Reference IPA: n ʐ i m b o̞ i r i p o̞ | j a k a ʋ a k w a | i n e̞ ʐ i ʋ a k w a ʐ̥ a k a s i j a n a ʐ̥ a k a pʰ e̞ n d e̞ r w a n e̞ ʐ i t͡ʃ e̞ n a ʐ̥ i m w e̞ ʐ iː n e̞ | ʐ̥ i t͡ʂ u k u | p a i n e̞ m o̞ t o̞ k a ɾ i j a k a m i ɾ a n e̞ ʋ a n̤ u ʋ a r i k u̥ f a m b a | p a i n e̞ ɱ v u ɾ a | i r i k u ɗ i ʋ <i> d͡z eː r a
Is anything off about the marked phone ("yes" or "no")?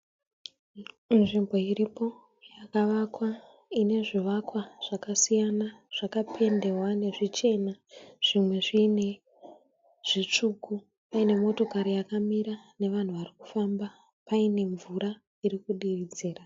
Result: no